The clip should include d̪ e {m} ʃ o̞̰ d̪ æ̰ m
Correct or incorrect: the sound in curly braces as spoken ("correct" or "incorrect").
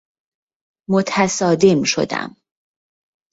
correct